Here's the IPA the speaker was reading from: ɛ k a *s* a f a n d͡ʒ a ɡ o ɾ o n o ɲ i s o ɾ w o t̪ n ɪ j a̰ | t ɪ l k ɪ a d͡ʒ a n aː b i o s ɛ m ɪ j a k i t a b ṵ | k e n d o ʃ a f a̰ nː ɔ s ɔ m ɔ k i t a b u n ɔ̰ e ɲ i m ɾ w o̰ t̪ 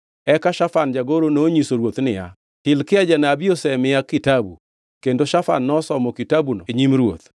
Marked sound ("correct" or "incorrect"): incorrect